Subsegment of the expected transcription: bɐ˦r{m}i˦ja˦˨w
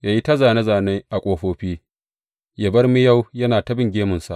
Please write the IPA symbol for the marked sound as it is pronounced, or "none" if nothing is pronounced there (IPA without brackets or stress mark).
m